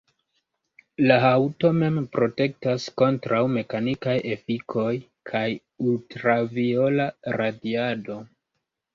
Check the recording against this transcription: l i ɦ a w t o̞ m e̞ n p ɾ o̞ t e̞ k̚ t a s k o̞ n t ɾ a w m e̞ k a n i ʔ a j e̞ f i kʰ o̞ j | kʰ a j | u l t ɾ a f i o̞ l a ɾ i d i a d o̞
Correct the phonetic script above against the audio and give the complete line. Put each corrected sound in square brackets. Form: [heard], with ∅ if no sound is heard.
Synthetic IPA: l [a] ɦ a w t o̞ m e̞ [m] p ɾ o̞ t e̞ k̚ t a s k o̞ n t ɾ a w m e̞ k a n i [k] a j e̞ f i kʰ o̞ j | kʰ a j | u l t ɾ a [v] i o̞ l a ɾ [a] d i a d o̞